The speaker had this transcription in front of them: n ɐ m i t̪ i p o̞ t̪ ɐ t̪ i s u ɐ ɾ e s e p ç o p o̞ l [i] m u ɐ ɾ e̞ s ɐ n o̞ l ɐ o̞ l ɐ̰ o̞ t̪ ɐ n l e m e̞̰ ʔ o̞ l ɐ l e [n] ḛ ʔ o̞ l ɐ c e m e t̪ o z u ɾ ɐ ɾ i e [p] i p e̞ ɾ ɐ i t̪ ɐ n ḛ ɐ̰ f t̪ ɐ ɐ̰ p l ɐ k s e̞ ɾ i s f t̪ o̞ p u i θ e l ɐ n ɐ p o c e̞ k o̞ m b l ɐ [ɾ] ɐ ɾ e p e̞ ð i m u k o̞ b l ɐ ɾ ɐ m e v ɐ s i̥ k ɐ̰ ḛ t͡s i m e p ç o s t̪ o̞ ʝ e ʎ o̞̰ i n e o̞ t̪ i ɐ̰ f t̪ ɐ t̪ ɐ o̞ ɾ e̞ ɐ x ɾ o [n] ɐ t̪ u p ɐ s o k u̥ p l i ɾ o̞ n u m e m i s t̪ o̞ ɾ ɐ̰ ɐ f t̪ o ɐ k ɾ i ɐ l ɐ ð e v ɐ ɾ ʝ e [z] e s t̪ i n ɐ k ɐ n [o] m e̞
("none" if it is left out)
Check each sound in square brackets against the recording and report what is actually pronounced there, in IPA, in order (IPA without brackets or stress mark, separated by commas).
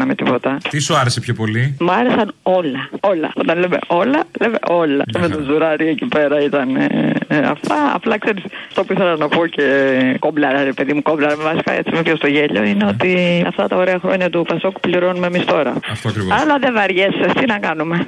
i, m, c, ɾ, ɲ, s, u